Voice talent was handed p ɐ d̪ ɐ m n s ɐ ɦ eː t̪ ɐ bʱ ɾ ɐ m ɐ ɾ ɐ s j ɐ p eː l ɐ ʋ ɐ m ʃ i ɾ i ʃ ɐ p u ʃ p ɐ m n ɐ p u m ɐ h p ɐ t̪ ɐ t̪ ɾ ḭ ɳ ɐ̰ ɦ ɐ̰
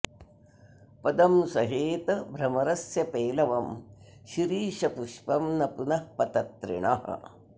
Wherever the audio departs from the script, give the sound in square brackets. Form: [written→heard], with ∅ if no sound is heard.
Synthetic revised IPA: p ɐ d̪ ɐ m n s ɐ ɦ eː t̪ ɐ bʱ ɾ ɐ m ɐ ɾ ɐ s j ɐ p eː l ɐ ʋ ɐ m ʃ i ɾ [i→iː] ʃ ɐ p u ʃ p ɐ m n ɐ p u [m→n] ɐ h p ɐ t̪ ɐ t̪ ɾ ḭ ɳ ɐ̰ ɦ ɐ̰